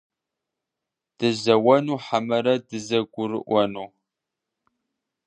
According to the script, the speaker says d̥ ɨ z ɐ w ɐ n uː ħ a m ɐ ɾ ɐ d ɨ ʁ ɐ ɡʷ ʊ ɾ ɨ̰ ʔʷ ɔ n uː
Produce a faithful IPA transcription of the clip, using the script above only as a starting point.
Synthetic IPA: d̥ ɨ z ɐ w ɐ n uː ħ a m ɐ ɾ ɐ d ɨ z ɐ ɡʷ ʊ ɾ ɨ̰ ʔʷ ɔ n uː